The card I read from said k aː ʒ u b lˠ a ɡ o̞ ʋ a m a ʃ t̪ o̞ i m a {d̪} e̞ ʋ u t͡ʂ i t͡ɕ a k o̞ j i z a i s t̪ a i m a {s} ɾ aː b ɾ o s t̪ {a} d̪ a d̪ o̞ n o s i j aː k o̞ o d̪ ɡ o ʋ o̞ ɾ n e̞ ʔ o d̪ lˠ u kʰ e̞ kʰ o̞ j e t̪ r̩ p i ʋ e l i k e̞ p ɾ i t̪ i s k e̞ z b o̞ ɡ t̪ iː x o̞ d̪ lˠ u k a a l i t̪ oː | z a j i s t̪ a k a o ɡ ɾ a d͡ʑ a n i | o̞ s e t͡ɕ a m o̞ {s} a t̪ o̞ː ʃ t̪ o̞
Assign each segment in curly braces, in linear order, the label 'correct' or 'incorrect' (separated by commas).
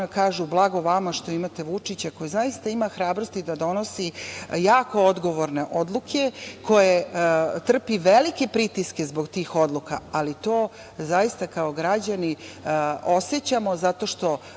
incorrect, incorrect, incorrect, incorrect